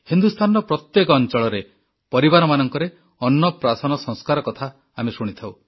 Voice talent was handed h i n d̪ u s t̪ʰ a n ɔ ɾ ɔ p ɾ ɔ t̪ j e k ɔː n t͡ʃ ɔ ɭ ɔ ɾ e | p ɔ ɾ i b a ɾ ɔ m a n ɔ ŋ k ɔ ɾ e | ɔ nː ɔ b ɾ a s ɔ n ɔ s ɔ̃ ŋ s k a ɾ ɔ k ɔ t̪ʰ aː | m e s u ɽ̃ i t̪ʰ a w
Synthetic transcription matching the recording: h i n d̪ u s t̪ʰ a n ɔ ɾ ɔ p ɾ ɔ t̪ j e k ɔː n t͡ʃ ɔ ɭ ɔ ɾ e | p ɔ ɾ i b a ɾ ɔ m a n ɔ ŋ k ɔ ɾ e | ɔ nː ɔ p ɾ a s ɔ n ɔ s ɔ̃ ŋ s k a ɾ ɔ k ɔ t̪ʰ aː | m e s u ɽ̃ i t̪ʰ a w

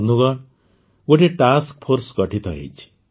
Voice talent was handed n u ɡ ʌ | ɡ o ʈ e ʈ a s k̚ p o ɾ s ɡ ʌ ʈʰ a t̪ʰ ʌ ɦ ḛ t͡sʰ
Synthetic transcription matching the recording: n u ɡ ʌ | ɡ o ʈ e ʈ a s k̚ pʰ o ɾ s ɡ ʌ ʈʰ i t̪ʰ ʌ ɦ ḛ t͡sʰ

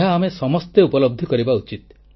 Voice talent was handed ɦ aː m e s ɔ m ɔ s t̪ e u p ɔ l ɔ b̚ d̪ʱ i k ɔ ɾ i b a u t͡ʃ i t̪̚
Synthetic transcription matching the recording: ɦ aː m e s ɔ m ɔ s t̪ e u p ɔ l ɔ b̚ d̪ʱ i k ɔ ɾ i b a u t͡ʃ i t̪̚

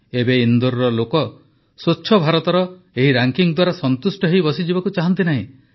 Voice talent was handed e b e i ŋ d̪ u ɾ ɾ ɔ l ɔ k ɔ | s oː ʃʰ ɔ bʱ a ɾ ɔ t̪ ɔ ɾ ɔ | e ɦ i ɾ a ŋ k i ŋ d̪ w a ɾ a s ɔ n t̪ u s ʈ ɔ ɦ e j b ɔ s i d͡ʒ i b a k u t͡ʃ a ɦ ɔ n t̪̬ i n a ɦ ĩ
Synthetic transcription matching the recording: e b e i n d̪ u ɾ ɾ ɔ l o k ɔ | s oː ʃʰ ɔ bʱ a ɾ ɔ t̪ ɔ ɾ ɔ | e ɦ i ɾ a ŋ k i ŋ d̪ w a ɾ a s ɔ n t̪ u s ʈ ɔ ɦ e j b ɔ s i d͡ʒ i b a k u t͡ʃ a ɦ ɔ n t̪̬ i n a ɦ ĩ

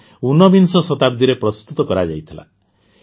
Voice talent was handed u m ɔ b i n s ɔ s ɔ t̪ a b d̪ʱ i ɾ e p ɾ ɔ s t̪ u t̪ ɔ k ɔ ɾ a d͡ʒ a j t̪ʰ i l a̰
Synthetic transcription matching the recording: u n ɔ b i n s ɔ s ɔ t̪ a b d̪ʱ i ɾ e p ɾ ɔ s t̪ u t̪ ɔ k ɔ ɾ a d͡ʒ a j t̪ʰ i l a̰

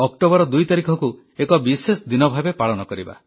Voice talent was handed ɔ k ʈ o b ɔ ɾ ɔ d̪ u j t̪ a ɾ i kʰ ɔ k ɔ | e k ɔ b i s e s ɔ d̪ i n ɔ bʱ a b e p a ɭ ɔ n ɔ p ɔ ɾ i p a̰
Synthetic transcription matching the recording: ɔ k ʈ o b ɔ ɾ ɔ d̪ u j t̪ a ɾ i kʰ ɔ k u | e k ɔ b i s e s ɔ d̪ i n ɔ bʱ a b e p a ɭ ɔ n ɔ k ɔ ɾ i b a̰

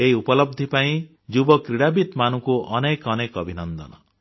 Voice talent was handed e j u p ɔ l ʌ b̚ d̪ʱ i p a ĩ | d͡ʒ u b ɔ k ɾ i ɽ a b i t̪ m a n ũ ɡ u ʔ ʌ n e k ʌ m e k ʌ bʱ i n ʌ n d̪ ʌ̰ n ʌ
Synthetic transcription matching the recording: e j u p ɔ l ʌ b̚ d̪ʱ i p a ĩ | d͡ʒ u b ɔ k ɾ i ɽ a b i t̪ m a n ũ k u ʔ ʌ n e k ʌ n e k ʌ bʱ i n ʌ n d̪ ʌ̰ n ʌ

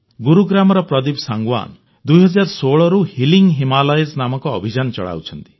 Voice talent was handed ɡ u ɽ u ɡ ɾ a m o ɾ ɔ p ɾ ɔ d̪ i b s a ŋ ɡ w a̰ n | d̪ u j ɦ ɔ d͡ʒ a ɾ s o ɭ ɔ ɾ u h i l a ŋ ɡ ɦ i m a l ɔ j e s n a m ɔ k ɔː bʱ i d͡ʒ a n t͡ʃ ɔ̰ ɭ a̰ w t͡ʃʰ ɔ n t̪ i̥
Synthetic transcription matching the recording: ɡ u ɾ u ɡ ɾ a m ɔ ɾ ɔ p ɾ ɔ d̪ i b s a ŋ ɡ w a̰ n | d̪ u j ɦ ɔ d͡ʒ a ɾ s o ɭ ɔ ɾ u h i l i ŋ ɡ ɦ i m a l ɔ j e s n a m ɔ k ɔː bʱ i d͡ʒ a n t͡ʃ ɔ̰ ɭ a̰ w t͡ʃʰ ɔ n t̪ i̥

